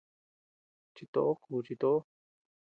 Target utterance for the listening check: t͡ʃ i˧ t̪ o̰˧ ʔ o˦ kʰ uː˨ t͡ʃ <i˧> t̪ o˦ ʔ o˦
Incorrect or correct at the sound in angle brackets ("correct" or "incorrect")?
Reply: correct